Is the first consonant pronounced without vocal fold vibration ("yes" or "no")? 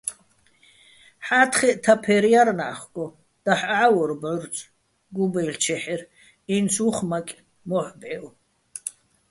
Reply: yes